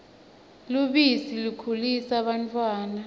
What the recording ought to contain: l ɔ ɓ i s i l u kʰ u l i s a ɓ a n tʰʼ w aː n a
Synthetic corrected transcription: l u ɓ i s i l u kʰ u l i s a ɓ a n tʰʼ w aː n a